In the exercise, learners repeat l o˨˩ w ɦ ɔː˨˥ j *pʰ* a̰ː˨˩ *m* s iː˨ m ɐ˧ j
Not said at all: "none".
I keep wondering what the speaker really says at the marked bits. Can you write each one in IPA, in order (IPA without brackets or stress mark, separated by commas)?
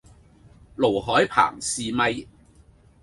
pʰ, ŋ